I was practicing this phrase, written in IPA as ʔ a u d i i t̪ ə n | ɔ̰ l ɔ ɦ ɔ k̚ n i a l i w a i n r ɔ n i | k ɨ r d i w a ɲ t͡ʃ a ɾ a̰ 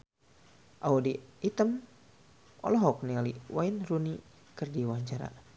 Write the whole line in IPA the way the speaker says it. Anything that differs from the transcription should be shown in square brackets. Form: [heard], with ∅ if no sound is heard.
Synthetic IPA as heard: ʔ a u d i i t̪ ə [m] | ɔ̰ l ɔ ɦ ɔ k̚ n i a l i w a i n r [u] n i | k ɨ r d i w a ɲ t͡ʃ a ɾ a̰